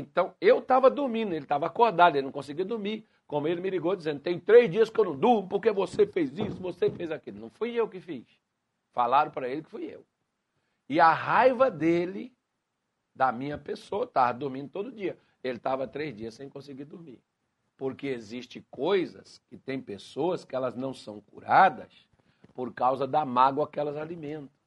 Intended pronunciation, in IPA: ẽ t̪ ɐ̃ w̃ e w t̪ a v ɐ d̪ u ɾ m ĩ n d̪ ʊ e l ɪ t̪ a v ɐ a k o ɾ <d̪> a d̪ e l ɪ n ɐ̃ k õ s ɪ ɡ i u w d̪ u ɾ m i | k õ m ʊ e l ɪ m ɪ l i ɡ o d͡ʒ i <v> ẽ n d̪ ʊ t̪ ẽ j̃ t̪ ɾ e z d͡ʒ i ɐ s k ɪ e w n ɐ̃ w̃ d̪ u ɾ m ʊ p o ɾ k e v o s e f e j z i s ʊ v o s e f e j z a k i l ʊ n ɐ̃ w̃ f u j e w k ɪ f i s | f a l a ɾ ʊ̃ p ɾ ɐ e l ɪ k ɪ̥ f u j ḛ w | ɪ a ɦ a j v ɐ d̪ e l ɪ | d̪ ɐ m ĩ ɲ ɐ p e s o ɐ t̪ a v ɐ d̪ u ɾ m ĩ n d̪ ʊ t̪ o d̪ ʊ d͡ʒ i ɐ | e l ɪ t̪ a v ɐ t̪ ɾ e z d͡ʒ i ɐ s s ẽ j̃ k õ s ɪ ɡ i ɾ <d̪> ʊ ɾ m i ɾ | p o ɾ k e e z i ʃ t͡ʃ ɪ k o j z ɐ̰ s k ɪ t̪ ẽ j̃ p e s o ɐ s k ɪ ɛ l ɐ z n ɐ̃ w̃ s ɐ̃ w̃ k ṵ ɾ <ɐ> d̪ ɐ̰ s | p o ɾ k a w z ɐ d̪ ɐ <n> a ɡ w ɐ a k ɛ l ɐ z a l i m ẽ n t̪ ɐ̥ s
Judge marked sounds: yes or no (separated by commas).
yes, no, yes, no, no